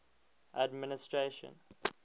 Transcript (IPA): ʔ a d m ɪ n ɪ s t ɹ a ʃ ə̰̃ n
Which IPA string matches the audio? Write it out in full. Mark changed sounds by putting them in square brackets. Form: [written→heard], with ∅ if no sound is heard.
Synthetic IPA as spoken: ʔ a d m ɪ n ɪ s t ɹ [a→e] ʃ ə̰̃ n